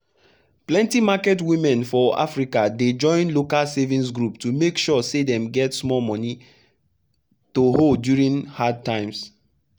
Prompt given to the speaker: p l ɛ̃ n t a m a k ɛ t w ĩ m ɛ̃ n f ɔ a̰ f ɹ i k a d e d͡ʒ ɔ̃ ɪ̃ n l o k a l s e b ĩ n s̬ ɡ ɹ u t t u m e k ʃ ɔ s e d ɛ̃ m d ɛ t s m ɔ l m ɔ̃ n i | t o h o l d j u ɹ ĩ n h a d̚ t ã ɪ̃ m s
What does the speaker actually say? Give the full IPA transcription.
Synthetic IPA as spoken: p l ɛ̃ n t i m a k ɛ t w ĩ m ɛ̃ n f ɔ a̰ f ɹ i k a d e d͡ʒ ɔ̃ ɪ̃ n l o k a l s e v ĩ n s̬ ɡ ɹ u p t u m e k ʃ ɔ s e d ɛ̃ m ɡ ɛ t s m ɔ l m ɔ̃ n i | t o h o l d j u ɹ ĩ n h a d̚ t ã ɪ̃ m s